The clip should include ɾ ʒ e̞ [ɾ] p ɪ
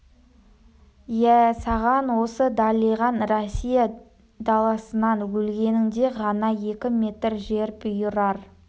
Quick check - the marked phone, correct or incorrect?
correct